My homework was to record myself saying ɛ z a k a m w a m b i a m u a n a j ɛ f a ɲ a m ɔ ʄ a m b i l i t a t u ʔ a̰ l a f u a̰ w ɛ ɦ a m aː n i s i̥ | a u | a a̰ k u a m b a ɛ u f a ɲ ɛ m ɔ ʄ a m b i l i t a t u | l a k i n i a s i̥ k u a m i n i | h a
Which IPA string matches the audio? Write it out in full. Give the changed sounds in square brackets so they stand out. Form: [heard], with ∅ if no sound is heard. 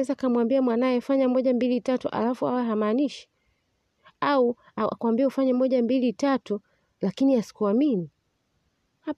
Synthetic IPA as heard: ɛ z a k a m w a m b i a m [w] a n a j ɛ f a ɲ a m ɔ ʄ a m b i l i t a t u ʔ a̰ l a f u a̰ w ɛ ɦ a m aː n i [ʃ] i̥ | a u | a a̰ k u a m b [i] ɛ u f a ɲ ɛ m ɔ ʄ a m b i l i t a t u | l a k i n i a s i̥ k u a m i n i | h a